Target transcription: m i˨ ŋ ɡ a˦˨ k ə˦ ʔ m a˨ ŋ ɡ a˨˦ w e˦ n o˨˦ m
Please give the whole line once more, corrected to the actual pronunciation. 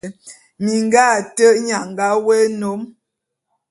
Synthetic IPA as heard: m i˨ ŋ ɡ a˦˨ t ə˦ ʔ ɲ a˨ ŋ ɡ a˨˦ w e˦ n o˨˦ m